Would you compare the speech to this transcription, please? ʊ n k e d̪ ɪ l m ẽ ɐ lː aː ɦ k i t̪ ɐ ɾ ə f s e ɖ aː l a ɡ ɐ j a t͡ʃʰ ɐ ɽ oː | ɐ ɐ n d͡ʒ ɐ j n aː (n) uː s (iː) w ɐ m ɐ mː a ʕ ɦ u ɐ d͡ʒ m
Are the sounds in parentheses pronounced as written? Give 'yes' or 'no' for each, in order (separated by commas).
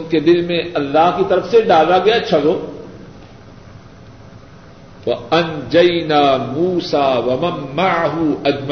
no, no